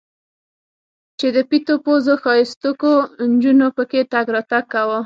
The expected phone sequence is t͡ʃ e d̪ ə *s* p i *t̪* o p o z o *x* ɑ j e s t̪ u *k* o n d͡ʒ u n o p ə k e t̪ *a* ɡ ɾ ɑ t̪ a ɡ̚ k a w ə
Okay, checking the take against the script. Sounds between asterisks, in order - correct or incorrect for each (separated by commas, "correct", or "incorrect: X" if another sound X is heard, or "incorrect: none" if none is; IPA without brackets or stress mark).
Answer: incorrect: none, correct, correct, correct, correct